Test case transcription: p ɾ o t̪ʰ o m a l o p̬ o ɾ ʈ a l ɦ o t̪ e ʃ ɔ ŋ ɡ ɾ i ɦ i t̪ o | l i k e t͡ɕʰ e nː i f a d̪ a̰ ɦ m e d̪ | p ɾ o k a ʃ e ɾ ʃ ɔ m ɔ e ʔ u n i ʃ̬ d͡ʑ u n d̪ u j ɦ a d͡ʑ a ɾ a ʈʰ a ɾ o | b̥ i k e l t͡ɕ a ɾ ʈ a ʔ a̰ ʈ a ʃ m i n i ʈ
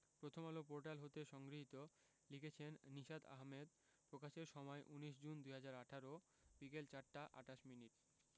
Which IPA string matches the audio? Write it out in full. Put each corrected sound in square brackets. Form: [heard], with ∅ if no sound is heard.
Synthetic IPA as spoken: p ɾ o t̪ʰ o m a l o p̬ o ɾ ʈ a l ɦ o t̪ e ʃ ɔ ŋ ɡ ɾ i ɦ i t̪ o | l i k e t͡ɕʰ e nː i [ʃ] a d̪ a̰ ɦ m e d̪ | p ɾ o k a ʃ e ɾ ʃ ɔ m ɔ e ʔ u n i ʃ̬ d͡ʑ u n d̪ u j ɦ a d͡ʑ a ɾ a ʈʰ a ɾ o | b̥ i k e l t͡ɕ a ɾ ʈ a ʔ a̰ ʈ a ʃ m i n i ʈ